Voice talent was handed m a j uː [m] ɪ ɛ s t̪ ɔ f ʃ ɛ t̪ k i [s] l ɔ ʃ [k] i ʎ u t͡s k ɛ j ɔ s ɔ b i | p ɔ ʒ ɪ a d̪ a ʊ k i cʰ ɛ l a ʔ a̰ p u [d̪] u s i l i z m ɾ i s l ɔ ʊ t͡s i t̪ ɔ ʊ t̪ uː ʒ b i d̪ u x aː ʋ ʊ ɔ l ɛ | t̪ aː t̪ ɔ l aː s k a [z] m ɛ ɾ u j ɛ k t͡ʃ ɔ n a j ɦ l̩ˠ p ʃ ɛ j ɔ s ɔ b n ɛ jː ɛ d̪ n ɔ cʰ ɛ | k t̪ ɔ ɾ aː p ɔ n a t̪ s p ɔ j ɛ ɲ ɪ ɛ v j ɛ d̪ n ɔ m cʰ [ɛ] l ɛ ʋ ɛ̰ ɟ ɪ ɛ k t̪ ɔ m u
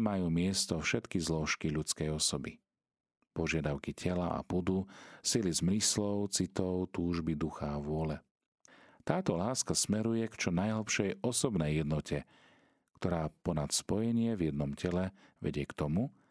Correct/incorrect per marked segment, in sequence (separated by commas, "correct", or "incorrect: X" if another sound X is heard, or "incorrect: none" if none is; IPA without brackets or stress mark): correct, incorrect: z, correct, correct, incorrect: s, correct